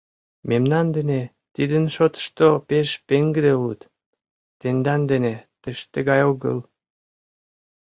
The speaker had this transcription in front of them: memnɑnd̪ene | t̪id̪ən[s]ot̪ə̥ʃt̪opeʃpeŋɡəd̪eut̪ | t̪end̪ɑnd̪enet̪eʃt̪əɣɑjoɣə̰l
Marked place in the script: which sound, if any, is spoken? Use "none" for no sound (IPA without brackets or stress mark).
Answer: ʃ